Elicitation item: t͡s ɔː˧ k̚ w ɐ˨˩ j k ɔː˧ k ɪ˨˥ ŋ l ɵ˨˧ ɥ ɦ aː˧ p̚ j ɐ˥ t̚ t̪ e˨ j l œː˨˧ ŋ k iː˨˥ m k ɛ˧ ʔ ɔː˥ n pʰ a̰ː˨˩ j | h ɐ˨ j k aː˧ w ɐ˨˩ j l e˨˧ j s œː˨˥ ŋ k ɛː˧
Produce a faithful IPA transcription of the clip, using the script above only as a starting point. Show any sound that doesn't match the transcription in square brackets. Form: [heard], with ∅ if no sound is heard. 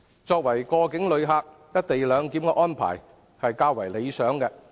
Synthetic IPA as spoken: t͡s ɔː˧ k̚ w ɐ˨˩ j k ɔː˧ k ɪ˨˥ ŋ l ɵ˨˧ ɥ ɦ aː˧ [k̚] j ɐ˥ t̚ t̪ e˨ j l œː˨˧ ŋ k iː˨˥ m k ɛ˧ ʔ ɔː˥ n pʰ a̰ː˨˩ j | h ɐ˨ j k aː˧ w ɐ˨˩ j l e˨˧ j s œː˨˥ ŋ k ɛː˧